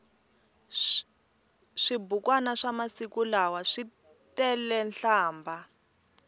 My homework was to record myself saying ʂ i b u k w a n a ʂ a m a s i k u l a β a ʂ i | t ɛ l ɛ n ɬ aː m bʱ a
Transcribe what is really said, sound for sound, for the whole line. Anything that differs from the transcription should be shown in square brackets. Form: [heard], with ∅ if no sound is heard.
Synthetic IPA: ʂ i b u k w a n a ʂ a m a s i k u l a [w] a ʂ i | t ɛ l ɛ n ɬ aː m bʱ a